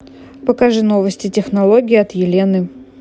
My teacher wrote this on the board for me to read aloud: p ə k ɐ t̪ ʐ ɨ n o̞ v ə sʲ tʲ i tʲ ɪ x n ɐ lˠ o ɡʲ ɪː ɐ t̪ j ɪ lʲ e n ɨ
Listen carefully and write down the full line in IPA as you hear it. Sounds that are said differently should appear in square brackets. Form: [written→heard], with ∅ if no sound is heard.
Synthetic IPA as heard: p ə k ɐ [t̪→∅] ʐ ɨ n o̞ v ə sʲ tʲ [i→ɪ] tʲ ɪ x n ɐ lˠ o ɡʲ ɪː ɐ t̪ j ɪ lʲ e n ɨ